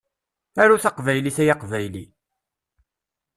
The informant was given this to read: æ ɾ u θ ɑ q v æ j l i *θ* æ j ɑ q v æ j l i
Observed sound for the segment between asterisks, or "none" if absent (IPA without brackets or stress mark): θ